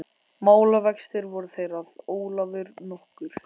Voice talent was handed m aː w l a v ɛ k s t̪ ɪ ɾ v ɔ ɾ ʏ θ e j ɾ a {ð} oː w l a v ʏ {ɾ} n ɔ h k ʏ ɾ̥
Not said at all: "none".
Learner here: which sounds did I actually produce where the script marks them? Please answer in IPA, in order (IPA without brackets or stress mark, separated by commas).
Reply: ð, ɾ